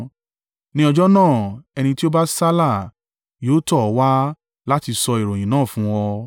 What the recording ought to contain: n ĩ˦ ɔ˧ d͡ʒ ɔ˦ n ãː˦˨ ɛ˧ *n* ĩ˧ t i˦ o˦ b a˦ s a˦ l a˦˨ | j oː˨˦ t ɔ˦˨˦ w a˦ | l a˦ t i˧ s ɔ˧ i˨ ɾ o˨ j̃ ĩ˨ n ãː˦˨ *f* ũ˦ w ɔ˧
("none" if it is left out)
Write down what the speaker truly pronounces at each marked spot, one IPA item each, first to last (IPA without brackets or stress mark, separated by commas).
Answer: n, f